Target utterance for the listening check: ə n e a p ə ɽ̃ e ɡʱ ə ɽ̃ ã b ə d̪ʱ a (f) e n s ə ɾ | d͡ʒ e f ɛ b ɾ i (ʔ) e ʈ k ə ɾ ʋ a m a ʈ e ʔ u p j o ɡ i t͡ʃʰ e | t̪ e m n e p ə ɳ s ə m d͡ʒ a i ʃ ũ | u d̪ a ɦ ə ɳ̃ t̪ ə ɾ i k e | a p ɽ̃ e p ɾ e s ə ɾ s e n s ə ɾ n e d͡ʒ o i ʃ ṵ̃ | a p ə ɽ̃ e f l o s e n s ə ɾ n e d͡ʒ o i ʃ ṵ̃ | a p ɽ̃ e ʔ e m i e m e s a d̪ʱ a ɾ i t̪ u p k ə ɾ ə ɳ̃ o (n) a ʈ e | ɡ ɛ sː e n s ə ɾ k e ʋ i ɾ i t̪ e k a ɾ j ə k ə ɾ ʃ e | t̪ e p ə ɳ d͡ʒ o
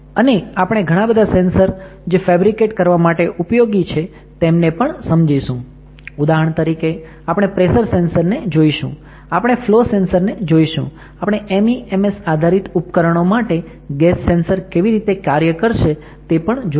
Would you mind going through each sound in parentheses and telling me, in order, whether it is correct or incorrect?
incorrect: s, incorrect: k, incorrect: m

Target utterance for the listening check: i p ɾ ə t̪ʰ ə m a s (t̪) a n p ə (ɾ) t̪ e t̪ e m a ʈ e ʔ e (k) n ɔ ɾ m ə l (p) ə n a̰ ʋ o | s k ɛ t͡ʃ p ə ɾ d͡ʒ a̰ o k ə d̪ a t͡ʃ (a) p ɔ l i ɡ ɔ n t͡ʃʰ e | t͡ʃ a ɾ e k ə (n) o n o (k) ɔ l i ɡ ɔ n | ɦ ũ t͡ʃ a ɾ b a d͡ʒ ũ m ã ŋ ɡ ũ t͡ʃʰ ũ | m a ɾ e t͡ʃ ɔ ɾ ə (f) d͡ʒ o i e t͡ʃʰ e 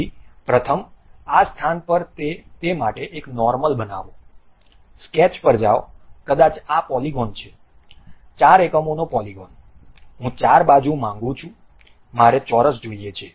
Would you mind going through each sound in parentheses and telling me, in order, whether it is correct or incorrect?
incorrect: t̪ʰ, correct, correct, incorrect: b, correct, incorrect: m, incorrect: p, incorrect: s

